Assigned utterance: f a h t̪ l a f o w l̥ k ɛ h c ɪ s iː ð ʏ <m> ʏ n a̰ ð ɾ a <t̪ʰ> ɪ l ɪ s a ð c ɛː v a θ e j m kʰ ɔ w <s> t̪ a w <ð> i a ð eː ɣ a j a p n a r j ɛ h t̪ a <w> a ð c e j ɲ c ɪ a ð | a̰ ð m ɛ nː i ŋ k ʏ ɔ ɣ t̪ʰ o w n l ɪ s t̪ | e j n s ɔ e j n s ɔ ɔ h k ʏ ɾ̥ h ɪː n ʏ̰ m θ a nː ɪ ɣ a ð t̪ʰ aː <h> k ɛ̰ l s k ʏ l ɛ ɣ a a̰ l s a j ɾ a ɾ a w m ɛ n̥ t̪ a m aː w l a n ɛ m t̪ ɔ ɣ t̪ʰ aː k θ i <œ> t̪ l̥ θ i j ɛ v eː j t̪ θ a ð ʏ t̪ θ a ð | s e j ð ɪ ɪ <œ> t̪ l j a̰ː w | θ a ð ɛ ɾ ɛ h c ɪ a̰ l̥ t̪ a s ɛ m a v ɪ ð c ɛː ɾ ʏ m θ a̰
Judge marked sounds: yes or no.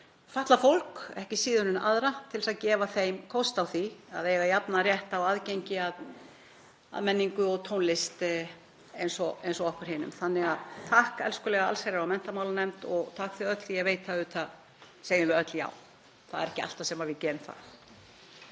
no, yes, yes, no, yes, yes, yes, yes

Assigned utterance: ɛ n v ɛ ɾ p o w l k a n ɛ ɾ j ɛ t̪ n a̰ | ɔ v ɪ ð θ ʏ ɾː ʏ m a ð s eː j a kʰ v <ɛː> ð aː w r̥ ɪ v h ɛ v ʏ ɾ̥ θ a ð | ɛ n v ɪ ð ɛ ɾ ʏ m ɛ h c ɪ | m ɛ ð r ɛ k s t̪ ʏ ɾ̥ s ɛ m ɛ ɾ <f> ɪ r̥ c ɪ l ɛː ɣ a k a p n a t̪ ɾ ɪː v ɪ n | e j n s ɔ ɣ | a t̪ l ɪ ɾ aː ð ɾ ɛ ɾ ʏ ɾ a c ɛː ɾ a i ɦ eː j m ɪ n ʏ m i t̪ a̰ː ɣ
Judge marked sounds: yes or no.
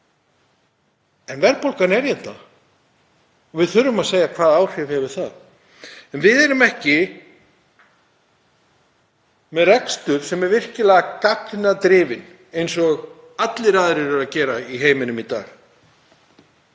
no, no

